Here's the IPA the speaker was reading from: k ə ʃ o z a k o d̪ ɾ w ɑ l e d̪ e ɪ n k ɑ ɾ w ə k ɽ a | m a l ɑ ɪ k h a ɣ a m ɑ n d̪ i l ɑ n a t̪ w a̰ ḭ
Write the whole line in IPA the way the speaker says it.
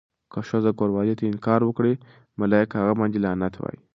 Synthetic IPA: k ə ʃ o z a k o ɾ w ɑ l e t̪ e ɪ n k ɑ ɾ w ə k ɽ e | m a l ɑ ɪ k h a ɣ a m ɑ n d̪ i l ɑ n a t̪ w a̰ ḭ